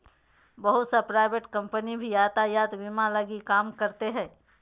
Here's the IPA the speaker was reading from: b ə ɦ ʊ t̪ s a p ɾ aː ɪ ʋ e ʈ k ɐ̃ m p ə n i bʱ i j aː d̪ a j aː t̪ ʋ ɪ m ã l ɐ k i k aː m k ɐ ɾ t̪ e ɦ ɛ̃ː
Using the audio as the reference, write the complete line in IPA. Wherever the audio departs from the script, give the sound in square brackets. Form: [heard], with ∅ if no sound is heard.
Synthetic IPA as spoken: b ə ɦ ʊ t̪ s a p ɾ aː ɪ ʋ e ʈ k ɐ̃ m p ə n i bʱ i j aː [t̪] a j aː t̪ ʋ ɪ m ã l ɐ [ɡ] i k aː m k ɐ ɾ t̪ e ɦ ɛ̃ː